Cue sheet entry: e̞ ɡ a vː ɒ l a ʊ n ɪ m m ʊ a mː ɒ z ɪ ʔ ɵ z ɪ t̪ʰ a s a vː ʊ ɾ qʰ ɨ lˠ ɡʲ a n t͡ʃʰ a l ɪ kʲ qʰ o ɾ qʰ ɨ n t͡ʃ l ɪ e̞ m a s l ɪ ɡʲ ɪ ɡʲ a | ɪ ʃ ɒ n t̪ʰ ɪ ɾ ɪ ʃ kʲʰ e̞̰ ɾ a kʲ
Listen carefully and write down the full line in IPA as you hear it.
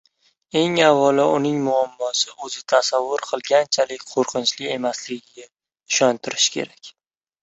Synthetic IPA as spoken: e̞ ŋ a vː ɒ l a ʊ n ɪ ŋ m ʊ a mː ɒ s ɪ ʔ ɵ z ɪ t̪ʰ a s a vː ʊ ɾ qʰ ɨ lˠ ɡʲ a n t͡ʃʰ a l ɪ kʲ qʰ o ɾ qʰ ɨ n t͡ʃ l ɪ e̞ m a s l ɪ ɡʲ ɪ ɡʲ a | ɪ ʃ ɒ n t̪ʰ ɪ ɾ ɪ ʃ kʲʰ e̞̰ ɾ a kʲ